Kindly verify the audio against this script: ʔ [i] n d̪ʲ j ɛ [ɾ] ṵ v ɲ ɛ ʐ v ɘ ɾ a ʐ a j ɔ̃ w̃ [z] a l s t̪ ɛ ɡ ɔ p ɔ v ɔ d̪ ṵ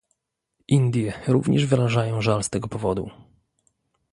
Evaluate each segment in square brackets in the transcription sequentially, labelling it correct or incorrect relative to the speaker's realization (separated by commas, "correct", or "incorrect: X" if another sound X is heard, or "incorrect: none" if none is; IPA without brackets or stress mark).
correct, correct, incorrect: ʐ